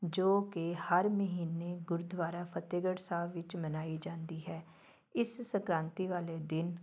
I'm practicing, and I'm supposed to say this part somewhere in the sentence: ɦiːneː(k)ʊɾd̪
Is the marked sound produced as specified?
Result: no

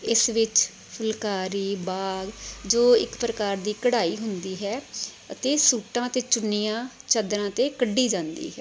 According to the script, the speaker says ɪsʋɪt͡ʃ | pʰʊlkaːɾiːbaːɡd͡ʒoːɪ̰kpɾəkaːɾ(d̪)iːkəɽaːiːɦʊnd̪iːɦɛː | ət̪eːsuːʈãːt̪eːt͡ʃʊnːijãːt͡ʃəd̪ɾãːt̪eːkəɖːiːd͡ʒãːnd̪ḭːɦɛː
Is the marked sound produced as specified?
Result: yes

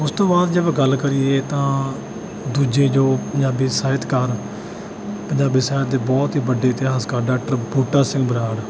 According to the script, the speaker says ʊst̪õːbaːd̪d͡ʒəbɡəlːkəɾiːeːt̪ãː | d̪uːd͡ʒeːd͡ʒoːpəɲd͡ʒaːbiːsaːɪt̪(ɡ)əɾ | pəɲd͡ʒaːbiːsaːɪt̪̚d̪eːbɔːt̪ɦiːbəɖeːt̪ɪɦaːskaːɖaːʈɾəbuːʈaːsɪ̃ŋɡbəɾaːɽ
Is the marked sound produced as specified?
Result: no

